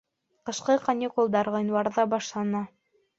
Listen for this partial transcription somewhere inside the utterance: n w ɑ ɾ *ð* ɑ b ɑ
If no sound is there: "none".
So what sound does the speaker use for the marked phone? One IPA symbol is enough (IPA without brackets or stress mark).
ð